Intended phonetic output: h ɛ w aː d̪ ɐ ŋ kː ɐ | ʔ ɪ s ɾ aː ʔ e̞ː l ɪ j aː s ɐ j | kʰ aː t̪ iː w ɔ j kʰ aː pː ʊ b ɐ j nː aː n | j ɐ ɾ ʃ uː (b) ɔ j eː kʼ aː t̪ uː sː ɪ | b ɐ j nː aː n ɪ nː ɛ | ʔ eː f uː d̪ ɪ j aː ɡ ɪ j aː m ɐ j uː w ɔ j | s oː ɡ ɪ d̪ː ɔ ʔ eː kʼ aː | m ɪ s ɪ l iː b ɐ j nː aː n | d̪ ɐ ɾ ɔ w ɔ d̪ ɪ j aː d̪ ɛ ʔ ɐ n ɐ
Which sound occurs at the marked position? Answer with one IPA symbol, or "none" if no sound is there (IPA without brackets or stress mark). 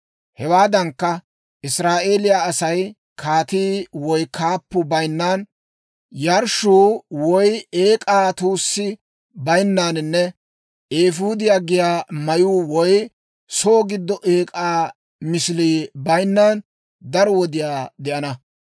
w